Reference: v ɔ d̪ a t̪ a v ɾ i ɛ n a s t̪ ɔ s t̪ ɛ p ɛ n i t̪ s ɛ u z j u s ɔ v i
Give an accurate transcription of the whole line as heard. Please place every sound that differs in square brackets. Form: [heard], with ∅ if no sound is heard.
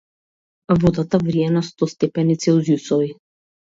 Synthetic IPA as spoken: v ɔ d̪ a t̪ a v ɾ i ɛ n a s t̪ ɔ s t̪ ɛ p ɛ n i t̪ s ɛ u z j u s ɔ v i